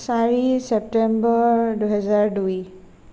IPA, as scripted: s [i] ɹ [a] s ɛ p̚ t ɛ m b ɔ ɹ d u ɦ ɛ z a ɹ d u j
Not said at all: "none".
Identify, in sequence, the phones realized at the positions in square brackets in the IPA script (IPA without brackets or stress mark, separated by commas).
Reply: a, i